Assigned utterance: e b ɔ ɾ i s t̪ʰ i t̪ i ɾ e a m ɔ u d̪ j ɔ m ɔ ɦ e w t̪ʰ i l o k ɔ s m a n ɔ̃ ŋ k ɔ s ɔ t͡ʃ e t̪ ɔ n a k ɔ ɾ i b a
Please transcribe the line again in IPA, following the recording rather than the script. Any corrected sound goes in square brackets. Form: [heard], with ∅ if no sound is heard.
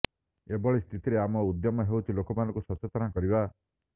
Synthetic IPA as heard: e b ɔ [ɭ] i s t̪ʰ i t̪ i ɾ e a m ɔ u d̪ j ɔ m ɔ ɦ e w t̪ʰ i l o k ɔ [∅] m a n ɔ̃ ŋ k [u] s ɔ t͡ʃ e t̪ ɔ n a k ɔ ɾ i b a

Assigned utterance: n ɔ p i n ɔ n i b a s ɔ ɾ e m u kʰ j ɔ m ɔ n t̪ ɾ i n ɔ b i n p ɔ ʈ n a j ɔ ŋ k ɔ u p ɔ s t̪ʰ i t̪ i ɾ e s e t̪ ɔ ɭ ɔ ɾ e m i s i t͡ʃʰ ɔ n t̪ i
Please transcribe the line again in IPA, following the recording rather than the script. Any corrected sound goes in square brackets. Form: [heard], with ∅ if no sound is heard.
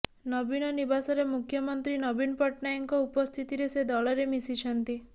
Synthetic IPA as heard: n ɔ [b] i n ɔ n i b a s ɔ ɾ e m u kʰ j ɔ m ɔ n t̪ ɾ i n ɔ b i n p ɔ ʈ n a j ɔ ŋ k ɔ u p ɔ s t̪ʰ i t̪ i ɾ e s e [d̪] ɔ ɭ ɔ ɾ e m i s i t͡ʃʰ ɔ n t̪ i

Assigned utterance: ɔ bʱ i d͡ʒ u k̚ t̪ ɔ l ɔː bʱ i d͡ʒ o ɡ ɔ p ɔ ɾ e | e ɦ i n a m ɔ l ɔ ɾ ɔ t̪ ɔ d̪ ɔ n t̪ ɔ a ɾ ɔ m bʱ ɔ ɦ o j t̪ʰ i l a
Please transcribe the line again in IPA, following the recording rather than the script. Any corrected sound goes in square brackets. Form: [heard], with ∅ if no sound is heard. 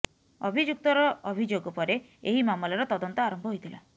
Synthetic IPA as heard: ɔ bʱ i d͡ʒ u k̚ t̪ ɔ [ɾ] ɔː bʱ i d͡ʒ o ɡ ɔ p ɔ ɾ e | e ɦ i [m] a m ɔ l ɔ ɾ ɔ t̪ ɔ d̪ ɔ n t̪ ɔ a ɾ ɔ m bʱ ɔ ɦ o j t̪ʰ i l a

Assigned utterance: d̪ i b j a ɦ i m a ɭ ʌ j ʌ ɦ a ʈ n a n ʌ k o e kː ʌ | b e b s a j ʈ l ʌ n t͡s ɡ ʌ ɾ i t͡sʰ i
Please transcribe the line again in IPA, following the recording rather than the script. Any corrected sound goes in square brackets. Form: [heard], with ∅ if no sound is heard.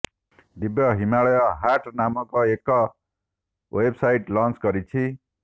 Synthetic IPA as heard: d̪ i b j [ʌ] ɦ i m a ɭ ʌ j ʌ ɦ a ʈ n a [m] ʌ k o e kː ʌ | [w] e b s a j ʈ l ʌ n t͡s ɡ ʌ ɾ i t͡sʰ i

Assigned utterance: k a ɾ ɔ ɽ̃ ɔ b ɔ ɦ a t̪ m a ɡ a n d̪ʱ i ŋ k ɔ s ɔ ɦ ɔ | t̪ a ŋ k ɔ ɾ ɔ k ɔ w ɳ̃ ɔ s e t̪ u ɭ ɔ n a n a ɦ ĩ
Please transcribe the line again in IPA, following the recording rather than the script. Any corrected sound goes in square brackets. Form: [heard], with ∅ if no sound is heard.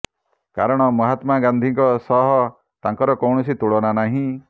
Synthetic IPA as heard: k a ɾ ɔ ɽ̃ ɔ [m] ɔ ɦ a t̪ m a ɡ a n d̪ʱ i ŋ k ɔ s ɔ ɦ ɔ | t̪ a ŋ k ɔ ɾ ɔ k ɔ w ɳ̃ ɔ s [i] t̪ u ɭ ɔ n a n a ɦ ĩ

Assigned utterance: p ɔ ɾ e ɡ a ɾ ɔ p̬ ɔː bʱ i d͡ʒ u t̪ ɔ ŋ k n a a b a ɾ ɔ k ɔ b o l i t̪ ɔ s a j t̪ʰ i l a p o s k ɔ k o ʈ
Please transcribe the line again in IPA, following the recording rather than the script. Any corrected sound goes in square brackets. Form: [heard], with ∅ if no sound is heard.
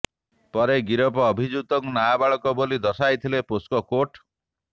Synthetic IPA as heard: p ɔ ɾ e ɡ [i] ɾ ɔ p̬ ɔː bʱ i d͡ʒ u t̪ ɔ ŋ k n a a b a [ɭ] ɔ k ɔ b o l i [d̪] ɔ s a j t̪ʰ i l [e] p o s k ɔ k o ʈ

